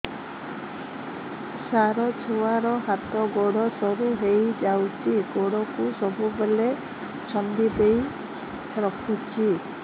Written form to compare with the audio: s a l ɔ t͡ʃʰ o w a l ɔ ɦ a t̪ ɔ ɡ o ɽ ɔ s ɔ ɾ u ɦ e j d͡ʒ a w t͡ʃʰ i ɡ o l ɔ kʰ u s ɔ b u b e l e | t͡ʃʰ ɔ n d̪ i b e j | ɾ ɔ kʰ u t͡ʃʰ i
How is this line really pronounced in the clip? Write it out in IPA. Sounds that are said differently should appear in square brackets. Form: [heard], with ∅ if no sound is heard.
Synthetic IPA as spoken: s a [ɾ] ɔ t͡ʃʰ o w a [ɾ] ɔ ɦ a t̪ ɔ ɡ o ɽ ɔ s ɔ ɾ u ɦ e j d͡ʒ a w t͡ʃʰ i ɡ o [ɽ] ɔ [k] u s ɔ b u b e l e | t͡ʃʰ ɔ n d̪ i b e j | ɾ ɔ kʰ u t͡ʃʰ i